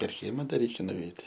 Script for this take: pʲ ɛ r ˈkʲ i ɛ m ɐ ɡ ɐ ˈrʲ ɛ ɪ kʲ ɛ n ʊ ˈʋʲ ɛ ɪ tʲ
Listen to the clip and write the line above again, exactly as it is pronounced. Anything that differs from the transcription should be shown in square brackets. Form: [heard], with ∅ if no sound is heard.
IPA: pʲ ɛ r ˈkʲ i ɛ m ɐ [d] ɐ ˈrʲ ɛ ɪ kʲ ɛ n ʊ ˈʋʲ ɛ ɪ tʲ